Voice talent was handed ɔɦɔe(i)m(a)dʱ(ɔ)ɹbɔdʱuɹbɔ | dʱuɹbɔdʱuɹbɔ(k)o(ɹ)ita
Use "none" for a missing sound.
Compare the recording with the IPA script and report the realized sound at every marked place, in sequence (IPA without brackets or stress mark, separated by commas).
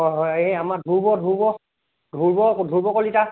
a, a, u, k, l